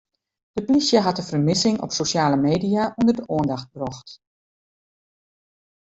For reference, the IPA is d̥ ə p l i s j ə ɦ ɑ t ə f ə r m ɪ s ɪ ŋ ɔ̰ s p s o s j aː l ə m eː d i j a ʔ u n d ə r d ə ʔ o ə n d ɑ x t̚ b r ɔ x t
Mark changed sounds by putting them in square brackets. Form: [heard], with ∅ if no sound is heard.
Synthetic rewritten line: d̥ ə p l i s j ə ɦ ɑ t ə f ə r m ɪ s ɪ ŋ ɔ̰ [∅] p s o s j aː l ə m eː d i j a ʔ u n d ə r d ə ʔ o ə n d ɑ x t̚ b r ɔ x t